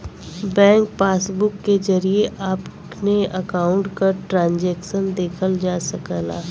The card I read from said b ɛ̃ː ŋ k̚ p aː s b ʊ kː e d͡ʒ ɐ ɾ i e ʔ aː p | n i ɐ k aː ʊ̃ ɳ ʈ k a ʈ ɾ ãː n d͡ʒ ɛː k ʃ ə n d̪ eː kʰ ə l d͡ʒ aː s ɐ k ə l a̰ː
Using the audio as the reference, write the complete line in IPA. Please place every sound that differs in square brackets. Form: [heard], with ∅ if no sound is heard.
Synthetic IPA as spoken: b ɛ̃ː ŋ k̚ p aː s b ʊ kː e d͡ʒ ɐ ɾ i e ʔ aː p | n [e] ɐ k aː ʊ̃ ɳ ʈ k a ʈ ɾ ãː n d͡ʒ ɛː k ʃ ə n d̪ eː kʰ ə l d͡ʒ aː s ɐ k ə l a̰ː